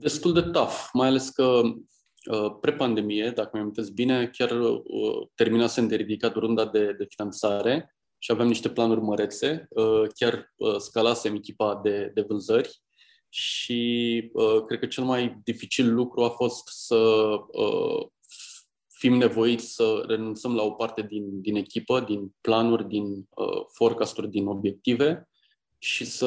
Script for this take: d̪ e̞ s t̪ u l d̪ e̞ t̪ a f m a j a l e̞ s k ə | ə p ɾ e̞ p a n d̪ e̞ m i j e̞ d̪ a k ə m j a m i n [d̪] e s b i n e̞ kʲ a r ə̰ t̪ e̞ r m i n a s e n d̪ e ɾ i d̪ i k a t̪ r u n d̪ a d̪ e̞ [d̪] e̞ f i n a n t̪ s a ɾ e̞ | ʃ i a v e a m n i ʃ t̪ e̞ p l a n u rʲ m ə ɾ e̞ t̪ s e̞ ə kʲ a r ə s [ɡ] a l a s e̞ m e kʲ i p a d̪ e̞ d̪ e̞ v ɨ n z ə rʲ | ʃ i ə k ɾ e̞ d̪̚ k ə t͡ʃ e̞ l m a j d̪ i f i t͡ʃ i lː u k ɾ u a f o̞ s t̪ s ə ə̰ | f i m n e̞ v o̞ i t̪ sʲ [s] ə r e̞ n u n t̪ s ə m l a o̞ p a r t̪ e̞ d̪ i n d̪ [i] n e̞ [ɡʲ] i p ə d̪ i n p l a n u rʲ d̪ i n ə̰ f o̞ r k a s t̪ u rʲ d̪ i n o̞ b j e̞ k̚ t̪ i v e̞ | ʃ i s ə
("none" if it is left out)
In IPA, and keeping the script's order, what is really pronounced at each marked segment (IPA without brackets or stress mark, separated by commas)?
t̪, d̪, k, s, i, kʲ